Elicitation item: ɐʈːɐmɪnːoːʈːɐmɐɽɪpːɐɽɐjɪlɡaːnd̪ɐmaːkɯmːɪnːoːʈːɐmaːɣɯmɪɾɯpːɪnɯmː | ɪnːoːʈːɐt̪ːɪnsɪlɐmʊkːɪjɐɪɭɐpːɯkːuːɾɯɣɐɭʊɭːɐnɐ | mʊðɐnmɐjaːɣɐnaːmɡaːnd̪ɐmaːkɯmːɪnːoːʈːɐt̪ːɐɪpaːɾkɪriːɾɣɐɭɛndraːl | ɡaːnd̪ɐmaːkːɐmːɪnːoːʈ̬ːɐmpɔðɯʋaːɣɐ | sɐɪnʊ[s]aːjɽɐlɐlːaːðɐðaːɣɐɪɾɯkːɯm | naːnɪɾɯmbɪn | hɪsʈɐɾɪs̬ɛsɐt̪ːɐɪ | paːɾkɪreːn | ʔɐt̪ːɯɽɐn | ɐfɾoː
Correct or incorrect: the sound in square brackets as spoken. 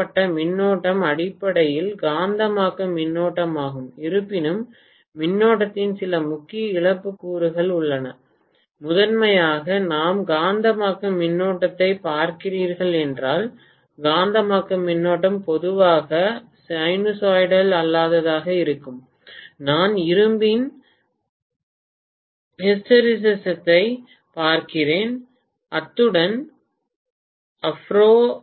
correct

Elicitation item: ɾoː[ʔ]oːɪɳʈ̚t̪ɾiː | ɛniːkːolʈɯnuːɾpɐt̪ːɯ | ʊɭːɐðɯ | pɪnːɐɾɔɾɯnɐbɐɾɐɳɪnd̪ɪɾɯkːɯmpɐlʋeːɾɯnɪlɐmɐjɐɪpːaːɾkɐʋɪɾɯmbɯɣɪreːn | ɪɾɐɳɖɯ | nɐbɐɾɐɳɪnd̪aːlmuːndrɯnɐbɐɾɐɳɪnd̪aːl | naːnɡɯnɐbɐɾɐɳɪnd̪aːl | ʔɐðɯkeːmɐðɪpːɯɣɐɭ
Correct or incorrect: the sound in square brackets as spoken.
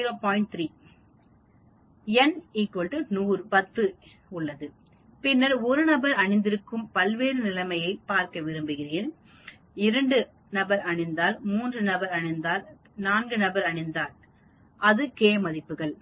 incorrect: p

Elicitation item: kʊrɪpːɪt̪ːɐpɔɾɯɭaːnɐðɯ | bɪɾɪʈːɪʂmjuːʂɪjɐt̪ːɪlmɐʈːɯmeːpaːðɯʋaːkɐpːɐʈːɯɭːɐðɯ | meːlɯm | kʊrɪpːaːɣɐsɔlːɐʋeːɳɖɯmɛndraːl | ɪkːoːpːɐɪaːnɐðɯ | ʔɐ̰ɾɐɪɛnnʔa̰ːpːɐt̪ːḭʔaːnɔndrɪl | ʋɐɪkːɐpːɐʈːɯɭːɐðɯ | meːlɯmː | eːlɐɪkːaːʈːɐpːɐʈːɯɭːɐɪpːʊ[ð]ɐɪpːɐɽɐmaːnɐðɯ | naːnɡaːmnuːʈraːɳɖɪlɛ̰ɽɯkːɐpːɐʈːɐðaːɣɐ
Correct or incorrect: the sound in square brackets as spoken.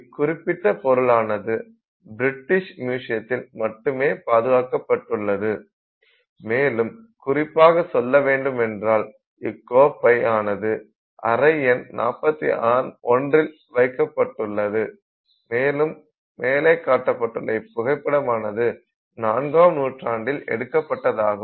incorrect: ɣ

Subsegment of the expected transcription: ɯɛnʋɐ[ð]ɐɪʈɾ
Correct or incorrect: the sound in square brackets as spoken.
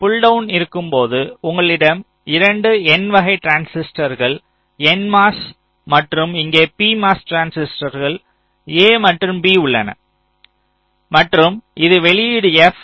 incorrect: ɣ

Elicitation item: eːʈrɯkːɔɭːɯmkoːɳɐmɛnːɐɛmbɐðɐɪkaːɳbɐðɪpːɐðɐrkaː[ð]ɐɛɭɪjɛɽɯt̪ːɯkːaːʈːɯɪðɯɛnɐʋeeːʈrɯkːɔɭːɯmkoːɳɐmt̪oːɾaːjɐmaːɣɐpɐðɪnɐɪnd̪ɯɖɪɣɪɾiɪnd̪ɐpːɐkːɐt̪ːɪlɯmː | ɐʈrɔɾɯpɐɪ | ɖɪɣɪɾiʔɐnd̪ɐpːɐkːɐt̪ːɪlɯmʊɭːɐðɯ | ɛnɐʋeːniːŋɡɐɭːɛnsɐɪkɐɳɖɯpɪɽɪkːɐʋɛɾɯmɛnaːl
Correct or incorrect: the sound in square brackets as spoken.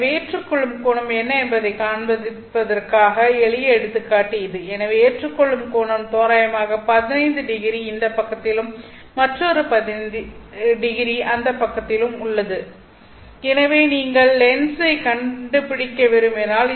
incorrect: ɣ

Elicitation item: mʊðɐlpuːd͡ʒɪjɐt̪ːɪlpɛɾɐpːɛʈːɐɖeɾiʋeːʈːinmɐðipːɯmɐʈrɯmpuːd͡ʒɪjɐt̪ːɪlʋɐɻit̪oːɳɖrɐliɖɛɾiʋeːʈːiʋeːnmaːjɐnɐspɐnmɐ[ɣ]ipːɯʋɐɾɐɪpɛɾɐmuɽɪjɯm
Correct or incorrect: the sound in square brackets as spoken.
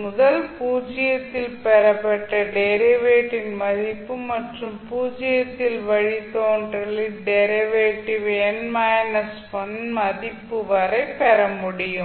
incorrect: ð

